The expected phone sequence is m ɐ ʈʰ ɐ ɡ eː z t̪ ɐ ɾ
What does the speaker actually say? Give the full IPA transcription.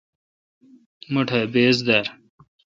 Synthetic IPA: m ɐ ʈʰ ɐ b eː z d̪ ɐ ɾ